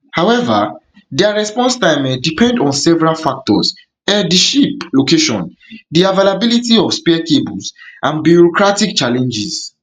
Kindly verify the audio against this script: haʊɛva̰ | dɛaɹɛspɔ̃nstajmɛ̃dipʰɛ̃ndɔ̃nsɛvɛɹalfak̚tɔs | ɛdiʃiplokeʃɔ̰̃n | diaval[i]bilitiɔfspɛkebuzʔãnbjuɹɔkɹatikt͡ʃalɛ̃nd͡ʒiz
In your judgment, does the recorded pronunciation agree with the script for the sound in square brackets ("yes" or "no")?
no